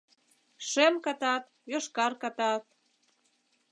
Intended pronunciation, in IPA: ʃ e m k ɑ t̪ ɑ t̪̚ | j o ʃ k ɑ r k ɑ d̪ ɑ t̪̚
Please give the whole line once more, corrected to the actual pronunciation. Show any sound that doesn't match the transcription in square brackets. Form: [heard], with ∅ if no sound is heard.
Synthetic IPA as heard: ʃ e m k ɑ t̪ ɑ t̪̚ | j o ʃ k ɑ r k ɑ [t̪] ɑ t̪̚